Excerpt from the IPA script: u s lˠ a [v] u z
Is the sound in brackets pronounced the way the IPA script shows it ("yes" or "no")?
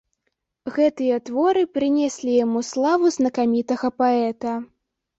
yes